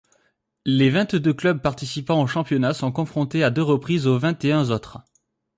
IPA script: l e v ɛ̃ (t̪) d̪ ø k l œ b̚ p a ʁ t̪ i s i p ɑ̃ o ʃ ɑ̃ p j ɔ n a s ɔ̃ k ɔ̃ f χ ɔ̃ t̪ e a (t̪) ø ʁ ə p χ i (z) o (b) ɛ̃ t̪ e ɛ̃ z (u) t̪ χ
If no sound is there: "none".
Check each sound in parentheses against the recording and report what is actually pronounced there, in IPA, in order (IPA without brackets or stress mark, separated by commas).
t̪, d̪, z, v, o